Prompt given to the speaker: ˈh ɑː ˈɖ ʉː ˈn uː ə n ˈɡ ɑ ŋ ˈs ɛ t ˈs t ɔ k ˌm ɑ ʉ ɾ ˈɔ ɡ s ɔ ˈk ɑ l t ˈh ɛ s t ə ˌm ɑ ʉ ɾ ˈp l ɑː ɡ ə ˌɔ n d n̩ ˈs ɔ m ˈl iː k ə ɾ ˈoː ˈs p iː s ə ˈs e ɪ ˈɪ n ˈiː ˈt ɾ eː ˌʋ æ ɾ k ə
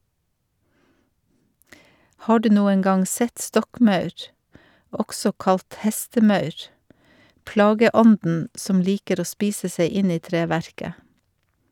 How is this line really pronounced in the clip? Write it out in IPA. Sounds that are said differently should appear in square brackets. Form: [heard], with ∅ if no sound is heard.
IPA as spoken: ˈh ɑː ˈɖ ʉː ˈn uː ə n ˈɡ ɑ ŋ ˈs ɛ t ˈs t ɔ k ˌm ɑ ʉ ɾ ˈɔ ɡ s ɔ ˈk ɑ l t ˈh ɛ s t ə ˌm ɑ ʉ ɾ ˈp l ɑː ɡ ə ˌɔ n d n̩ ˈs ɔ m ˈl iː k ə ɾ ˈoː ˈs p iː s ə ˈs e ɪ ˈɪ n ˈiː ˈt ɾ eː ˌʋ æ ɾ k ə